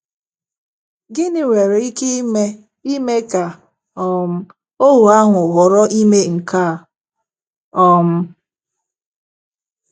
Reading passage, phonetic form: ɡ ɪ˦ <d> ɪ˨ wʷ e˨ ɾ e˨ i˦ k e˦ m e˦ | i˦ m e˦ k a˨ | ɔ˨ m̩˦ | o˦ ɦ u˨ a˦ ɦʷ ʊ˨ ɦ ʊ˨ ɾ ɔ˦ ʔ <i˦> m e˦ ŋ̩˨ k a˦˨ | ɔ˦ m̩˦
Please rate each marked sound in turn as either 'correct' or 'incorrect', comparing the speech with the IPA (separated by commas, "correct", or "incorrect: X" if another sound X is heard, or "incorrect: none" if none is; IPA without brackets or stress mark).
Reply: incorrect: n, correct